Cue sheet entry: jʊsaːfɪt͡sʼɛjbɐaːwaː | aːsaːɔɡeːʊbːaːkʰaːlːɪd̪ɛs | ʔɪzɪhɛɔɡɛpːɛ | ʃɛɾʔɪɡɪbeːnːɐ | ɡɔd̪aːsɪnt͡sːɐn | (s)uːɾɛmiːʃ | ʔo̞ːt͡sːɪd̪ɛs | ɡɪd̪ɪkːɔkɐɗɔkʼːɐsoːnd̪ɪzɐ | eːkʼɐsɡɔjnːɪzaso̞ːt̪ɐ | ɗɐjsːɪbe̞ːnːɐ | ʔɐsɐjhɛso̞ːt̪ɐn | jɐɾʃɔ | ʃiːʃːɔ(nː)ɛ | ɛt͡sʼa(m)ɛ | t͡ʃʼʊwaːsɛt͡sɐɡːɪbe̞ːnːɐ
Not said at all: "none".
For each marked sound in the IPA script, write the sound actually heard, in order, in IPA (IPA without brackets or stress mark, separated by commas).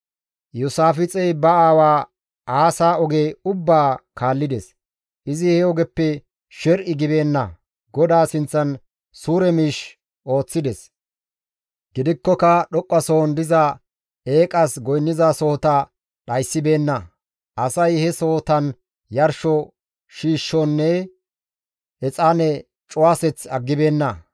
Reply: s, nː, n